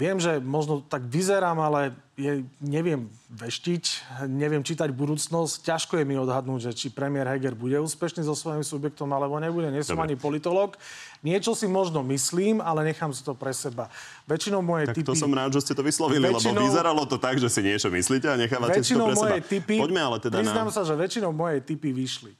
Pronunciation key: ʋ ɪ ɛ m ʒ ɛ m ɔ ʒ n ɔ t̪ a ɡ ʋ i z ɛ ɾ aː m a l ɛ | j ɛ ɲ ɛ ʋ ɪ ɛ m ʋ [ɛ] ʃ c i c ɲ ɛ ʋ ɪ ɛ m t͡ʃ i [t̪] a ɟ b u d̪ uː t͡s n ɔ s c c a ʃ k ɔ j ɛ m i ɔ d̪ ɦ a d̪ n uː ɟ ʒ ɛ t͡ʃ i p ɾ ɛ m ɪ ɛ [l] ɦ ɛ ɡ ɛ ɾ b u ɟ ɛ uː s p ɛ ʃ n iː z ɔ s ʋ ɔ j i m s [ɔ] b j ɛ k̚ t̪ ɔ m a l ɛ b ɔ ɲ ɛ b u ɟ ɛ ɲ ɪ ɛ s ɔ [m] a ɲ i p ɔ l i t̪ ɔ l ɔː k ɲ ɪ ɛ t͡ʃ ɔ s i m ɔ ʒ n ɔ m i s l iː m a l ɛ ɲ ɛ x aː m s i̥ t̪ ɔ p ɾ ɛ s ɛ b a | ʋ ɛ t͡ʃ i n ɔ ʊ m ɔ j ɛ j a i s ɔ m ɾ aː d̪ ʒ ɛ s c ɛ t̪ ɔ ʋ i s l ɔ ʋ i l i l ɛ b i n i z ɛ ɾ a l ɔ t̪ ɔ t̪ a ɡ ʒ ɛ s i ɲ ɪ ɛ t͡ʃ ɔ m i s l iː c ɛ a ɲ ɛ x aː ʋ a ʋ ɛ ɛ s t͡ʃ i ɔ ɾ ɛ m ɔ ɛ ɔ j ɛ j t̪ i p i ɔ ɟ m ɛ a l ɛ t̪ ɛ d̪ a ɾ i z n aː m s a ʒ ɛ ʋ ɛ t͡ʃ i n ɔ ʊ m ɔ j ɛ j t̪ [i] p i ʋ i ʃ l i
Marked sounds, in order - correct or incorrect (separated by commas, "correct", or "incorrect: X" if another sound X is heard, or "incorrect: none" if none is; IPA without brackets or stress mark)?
correct, correct, incorrect: ɾ, incorrect: u, correct, correct